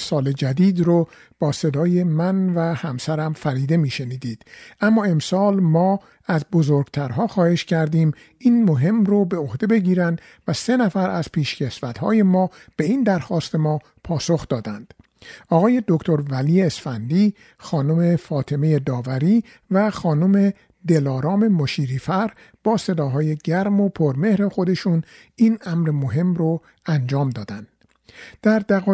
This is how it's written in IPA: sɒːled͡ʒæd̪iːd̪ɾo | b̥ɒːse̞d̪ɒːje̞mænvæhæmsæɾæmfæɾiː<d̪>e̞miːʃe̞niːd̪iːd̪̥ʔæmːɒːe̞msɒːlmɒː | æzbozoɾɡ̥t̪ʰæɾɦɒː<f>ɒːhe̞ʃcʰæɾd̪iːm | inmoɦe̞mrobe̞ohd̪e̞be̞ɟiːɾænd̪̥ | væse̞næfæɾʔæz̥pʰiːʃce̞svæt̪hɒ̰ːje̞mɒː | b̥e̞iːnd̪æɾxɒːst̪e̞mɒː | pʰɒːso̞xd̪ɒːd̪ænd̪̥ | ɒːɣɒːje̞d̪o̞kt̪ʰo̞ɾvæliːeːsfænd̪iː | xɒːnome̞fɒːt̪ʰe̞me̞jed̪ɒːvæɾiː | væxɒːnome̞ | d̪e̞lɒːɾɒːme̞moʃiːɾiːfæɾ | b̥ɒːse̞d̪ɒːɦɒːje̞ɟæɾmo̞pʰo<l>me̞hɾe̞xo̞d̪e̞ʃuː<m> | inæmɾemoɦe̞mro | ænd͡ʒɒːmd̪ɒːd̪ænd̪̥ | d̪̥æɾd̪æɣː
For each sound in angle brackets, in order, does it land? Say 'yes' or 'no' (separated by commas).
yes, no, no, no